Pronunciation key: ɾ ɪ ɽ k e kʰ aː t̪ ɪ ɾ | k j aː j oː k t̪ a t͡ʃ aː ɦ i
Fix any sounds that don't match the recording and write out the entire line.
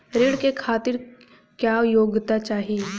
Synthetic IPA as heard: ɾ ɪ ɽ k e kʰ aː t̪ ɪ ɾ | k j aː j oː ɡ t̪ a t͡ʃ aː ɦ i